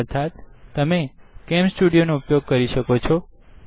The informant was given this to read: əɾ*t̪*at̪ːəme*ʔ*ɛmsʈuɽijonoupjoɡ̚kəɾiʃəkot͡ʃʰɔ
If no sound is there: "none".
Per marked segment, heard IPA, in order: t̪ʰ, k

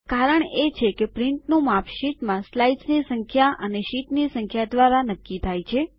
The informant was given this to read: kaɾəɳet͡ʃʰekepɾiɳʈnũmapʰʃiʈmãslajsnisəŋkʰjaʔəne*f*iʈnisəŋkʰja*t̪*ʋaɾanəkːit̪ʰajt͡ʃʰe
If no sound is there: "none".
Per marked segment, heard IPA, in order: ʃ, d̪

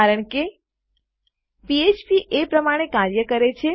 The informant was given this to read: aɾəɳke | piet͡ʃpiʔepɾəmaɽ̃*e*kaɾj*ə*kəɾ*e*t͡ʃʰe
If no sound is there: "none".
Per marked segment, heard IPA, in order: e, ə, e

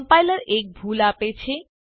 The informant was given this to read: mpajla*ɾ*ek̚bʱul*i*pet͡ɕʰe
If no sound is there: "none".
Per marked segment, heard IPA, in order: ɾ, a

